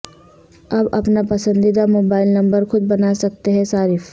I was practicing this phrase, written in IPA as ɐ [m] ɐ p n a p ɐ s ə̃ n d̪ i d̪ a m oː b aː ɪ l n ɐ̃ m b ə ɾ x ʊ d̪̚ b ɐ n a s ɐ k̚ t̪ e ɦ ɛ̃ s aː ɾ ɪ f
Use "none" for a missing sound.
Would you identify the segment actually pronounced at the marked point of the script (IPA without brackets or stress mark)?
b